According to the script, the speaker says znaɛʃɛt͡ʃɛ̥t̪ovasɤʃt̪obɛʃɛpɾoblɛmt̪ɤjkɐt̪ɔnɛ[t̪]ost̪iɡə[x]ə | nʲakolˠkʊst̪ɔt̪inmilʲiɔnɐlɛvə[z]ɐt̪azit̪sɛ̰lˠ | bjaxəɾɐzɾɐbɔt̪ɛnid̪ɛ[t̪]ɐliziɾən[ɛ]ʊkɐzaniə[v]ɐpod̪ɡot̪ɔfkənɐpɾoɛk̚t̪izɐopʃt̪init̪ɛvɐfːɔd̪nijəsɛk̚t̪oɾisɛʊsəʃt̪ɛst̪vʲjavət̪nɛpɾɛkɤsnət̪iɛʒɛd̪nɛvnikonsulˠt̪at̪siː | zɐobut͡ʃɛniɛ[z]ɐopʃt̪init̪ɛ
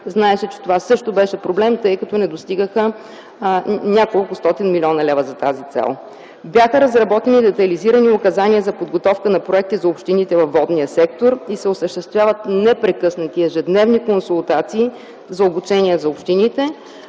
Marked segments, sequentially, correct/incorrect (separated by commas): incorrect, correct, correct, correct, incorrect, incorrect, correct